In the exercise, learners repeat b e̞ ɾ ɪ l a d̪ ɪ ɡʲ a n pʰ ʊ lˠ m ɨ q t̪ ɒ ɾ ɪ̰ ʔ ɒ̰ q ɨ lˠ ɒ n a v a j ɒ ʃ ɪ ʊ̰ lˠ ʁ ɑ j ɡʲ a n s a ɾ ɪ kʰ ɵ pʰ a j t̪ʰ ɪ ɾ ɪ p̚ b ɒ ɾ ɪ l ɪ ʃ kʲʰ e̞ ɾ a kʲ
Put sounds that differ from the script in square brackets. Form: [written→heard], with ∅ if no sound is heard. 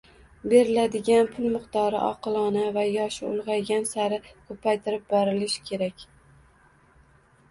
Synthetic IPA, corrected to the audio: b e̞ ɾ ɪ l a d̪ ɪ ɡʲ a n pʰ ʊ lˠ m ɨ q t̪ ɒ ɾ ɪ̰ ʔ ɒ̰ q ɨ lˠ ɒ n a v a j ɒ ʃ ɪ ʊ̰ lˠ ʁ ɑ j ɡʲ a n s a ɾ ɪ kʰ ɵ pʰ a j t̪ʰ ɪ ɾ ɪ p̚ b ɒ ɾ ɪ l ɪ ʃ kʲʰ e̞ ɾ a kʲ